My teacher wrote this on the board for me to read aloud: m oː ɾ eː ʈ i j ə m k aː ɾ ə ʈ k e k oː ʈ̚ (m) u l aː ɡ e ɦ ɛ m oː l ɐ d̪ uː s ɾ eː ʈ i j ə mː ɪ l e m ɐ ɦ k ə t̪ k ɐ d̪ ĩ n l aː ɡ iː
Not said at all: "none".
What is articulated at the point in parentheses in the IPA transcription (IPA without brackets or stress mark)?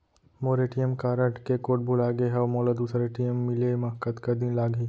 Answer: b